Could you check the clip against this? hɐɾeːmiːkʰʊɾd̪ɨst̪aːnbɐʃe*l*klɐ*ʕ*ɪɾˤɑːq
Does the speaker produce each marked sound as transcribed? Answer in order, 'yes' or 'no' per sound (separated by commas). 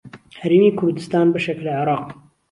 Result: no, yes